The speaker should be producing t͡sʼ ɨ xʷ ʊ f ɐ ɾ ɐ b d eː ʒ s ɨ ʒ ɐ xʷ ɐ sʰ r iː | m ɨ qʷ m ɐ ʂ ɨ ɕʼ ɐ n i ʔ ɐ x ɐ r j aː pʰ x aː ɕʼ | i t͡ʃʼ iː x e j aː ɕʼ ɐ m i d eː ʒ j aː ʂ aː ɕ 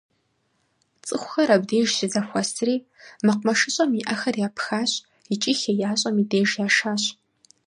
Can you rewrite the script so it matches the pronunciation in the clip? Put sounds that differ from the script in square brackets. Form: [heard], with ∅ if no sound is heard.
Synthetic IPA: t͡sʼ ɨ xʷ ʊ [x] ɐ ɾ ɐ b d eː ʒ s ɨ [z] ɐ xʷ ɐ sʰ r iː | m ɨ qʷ m ɐ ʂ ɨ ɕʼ ɐ [m] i ʔ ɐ x ɐ r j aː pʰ x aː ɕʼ | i t͡ʃʼ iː x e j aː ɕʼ ɐ m i d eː ʒ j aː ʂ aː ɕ